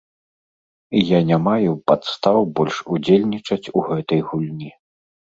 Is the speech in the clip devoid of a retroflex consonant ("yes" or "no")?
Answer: no